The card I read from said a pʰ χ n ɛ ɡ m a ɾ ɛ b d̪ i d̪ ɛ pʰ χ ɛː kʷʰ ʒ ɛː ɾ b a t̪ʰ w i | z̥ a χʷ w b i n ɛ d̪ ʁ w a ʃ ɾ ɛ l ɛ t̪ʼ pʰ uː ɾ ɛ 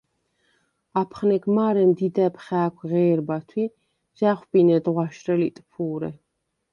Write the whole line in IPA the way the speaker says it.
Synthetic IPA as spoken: a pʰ χ n ɛ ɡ m a ɾ ɛ m d̪ i d̪ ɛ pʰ χ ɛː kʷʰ ʁ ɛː ɾ b a t̪ʰ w i | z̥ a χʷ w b i n ɛ d̪ ʁ w a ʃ ɾ ɛ l i t̪ʼ pʰ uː ɾ ɛ